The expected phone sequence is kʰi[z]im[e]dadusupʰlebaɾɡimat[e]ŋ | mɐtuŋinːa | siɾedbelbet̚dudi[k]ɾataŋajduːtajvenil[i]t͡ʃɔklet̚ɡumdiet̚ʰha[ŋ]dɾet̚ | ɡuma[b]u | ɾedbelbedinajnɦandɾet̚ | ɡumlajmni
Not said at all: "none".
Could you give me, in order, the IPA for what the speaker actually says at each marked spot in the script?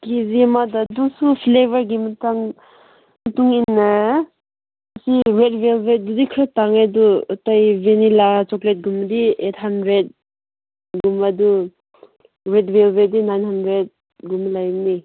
z, a, a, kʰ, a, n, d

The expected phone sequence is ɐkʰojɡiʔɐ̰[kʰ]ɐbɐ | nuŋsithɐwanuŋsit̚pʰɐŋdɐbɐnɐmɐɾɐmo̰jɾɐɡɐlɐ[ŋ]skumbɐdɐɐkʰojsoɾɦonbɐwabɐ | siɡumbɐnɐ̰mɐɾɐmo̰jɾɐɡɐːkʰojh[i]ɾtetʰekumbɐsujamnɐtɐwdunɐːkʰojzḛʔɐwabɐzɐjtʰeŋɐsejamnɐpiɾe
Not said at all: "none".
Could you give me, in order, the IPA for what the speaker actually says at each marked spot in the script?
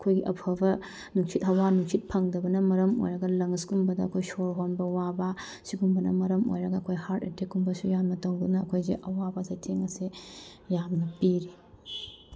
pʰ, ŋ, a

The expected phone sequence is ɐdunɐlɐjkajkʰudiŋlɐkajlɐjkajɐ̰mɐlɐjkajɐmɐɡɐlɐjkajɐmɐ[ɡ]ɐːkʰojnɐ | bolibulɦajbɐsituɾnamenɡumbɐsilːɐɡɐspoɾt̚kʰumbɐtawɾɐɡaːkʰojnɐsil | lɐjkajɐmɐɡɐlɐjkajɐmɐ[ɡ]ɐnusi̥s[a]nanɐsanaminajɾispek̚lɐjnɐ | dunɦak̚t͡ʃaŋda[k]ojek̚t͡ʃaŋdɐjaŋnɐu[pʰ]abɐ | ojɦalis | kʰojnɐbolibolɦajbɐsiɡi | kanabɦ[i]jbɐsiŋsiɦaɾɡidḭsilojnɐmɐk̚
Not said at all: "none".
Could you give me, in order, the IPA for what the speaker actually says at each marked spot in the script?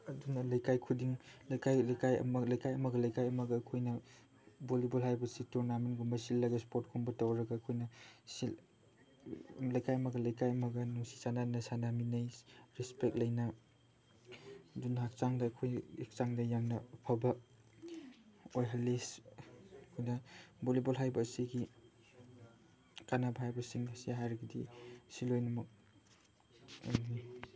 ɡ, ɡ, a, kʰ, pʰ, a

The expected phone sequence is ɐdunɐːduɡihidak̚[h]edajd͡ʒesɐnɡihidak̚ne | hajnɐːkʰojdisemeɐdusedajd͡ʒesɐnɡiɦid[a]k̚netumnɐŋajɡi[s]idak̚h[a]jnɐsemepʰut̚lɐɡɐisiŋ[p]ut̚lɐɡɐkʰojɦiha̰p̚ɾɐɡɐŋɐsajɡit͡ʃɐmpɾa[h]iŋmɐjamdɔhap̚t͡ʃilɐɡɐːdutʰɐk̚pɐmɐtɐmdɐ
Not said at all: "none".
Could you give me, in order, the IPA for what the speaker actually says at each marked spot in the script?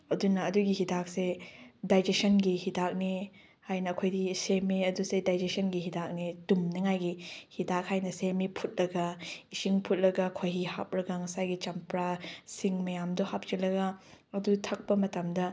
s, a, h, a, pʰ, s

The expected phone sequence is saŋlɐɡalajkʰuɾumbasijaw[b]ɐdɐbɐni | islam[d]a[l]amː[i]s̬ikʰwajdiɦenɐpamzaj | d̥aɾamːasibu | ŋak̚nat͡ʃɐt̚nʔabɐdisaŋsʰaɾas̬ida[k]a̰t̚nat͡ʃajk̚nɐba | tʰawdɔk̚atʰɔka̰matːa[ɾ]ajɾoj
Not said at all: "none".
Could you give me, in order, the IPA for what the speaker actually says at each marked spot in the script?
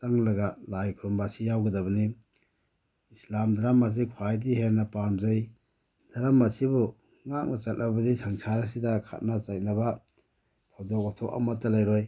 ɡ, d, ɾ, a, kʰ, l

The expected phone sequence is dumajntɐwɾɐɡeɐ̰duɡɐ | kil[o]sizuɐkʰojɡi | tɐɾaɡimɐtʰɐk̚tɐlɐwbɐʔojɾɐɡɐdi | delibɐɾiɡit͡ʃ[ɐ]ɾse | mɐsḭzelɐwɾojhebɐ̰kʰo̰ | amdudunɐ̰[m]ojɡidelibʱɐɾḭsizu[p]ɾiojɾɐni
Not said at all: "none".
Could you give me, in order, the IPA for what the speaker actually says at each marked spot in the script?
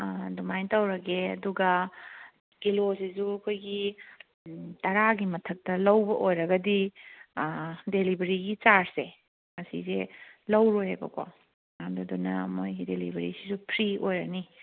o, a, m, pʰ

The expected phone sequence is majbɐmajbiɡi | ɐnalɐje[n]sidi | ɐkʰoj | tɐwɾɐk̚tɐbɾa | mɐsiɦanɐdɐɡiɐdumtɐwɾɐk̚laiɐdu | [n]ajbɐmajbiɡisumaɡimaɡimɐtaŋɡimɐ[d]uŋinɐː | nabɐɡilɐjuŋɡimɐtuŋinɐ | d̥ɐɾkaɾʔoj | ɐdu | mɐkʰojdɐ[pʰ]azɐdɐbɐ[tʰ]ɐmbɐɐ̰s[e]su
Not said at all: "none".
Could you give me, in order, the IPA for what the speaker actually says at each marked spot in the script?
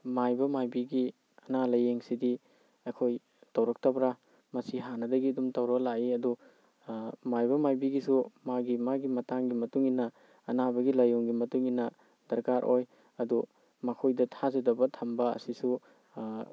ŋ, m, t, tʰ, tʰ, i

